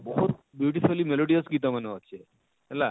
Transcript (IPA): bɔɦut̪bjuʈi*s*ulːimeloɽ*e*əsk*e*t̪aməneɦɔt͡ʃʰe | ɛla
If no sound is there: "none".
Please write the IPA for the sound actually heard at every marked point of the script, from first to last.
f, i, i

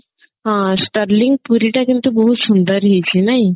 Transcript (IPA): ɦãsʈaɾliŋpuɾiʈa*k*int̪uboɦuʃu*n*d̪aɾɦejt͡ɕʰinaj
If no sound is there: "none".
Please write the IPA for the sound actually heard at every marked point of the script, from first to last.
k, n

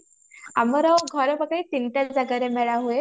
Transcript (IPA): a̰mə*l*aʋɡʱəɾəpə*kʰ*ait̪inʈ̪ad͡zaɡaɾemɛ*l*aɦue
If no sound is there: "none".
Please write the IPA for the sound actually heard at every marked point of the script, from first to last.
ɾ, k, ɭ

